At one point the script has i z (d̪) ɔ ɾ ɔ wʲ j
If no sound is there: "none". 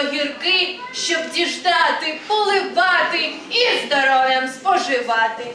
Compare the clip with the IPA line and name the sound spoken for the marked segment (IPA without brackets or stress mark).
d̪